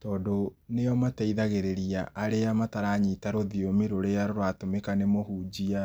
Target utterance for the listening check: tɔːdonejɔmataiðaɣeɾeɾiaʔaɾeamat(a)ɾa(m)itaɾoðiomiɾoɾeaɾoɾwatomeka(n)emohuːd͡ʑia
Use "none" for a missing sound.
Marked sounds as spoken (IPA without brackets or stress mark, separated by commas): a, ɲ, n